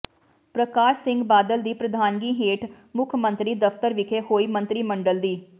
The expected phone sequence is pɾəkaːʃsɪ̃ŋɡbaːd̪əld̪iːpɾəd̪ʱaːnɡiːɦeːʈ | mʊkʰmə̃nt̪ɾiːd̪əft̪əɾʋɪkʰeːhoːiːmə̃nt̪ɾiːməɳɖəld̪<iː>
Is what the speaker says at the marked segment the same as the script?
yes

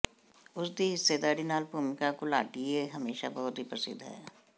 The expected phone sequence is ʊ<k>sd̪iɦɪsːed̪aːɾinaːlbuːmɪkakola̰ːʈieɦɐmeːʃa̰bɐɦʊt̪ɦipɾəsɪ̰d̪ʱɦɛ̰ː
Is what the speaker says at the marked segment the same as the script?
no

